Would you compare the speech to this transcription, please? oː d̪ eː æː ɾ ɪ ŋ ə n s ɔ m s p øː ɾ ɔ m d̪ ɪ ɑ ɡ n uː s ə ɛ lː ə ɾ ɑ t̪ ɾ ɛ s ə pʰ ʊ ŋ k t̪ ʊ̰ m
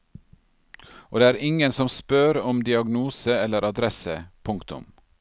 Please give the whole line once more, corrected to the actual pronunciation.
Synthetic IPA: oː d̪ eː æː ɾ ɪ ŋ ə n s ɔ m s p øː ɾ ɔ m d̪ ɪ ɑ ɡ n uː s ə ɛ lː ə ɾ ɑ d̪ ɾ ɛ s ə pʰ ʊ ŋ k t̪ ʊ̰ m